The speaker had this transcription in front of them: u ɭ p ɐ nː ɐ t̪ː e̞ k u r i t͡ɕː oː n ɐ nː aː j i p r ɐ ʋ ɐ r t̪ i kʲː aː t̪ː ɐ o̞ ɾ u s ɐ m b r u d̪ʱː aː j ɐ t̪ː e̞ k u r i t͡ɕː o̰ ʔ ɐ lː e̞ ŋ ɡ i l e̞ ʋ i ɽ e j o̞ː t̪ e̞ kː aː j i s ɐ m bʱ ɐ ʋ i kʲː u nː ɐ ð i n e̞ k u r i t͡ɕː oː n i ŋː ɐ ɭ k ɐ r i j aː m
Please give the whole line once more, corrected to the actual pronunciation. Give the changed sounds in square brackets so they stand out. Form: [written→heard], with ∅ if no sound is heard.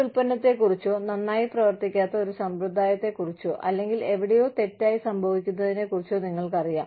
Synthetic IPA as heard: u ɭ p ɐ nː ɐ t̪ː e̞ k u r i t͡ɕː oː n ɐ nː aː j i p r ɐ ʋ ɐ r t̪ i kʲː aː t̪ː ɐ o̞ ɾ u s ɐ m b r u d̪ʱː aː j ɐ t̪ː e̞ k u r i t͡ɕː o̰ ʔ ɐ lː e̞ ŋ ɡ i l e̞ ʋ i ɽ e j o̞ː t̪ e̞ [kː→tː] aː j i s ɐ m bʱ ɐ ʋ i kʲː u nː ɐ ð i n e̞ k u r i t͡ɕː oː n i ŋː ɐ ɭ k ɐ r i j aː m